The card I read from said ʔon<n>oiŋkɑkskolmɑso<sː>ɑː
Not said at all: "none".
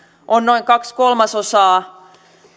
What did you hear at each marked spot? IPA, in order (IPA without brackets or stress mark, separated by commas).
n, s